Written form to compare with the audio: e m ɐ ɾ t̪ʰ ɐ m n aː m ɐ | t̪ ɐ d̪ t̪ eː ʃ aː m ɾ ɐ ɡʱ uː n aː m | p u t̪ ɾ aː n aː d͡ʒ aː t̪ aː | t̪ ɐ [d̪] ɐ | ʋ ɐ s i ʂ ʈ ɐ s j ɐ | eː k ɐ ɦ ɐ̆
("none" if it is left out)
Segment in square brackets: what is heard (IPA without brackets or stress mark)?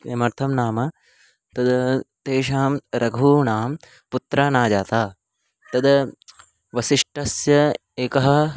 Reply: d̪